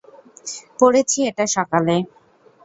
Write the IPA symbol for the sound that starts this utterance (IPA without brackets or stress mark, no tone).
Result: p